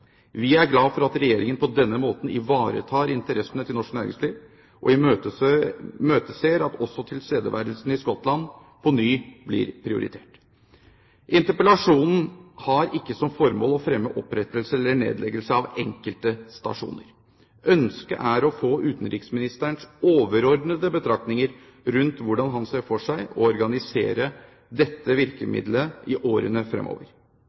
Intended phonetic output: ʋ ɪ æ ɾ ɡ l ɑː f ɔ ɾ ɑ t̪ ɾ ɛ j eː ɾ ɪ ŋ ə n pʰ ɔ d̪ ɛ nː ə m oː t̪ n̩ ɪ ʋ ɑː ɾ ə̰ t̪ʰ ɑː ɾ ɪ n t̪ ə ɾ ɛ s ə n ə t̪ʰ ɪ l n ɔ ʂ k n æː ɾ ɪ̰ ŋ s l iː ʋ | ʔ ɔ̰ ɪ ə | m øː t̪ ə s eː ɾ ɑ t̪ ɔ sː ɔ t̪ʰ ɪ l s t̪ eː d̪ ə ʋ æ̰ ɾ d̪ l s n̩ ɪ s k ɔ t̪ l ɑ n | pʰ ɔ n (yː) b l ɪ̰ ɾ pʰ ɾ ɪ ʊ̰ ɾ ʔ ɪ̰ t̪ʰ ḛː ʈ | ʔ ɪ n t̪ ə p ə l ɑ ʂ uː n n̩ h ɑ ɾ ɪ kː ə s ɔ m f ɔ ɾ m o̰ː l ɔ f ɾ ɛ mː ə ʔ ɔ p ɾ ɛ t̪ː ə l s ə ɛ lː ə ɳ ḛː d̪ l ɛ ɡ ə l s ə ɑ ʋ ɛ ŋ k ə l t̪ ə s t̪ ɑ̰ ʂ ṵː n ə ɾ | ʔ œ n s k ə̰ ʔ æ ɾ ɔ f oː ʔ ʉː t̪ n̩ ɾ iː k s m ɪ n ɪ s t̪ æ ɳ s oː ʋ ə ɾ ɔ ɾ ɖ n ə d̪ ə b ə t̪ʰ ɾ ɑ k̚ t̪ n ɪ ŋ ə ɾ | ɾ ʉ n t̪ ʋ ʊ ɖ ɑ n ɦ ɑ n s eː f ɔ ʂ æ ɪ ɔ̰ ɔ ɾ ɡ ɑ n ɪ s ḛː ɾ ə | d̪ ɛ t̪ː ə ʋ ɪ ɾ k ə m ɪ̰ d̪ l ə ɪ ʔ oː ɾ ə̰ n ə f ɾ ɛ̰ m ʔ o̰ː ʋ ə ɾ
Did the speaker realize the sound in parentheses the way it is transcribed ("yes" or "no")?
yes